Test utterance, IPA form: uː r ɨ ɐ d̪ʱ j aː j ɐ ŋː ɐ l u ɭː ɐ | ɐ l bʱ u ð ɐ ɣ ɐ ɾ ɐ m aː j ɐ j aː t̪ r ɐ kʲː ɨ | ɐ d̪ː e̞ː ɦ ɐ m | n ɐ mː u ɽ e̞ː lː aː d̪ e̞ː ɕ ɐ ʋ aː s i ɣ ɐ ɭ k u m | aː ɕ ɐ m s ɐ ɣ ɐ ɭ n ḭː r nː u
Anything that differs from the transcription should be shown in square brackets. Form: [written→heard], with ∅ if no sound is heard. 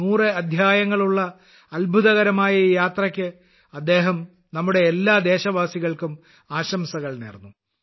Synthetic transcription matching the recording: uː r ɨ ɐ d̪ʱ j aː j ɐ ŋː ɐ [l→ɭ] u ɭː ɐ | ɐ l bʱ u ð ɐ ɣ ɐ ɾ ɐ m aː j ɐ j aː t̪ r ɐ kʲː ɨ | ɐ d̪ː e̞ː ɦ ɐ m | n ɐ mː u ɽ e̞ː lː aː d̪ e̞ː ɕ ɐ ʋ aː s i ɣ ɐ ɭ k u m | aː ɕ ɐ m s ɐ ɣ ɐ ɭ n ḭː r nː u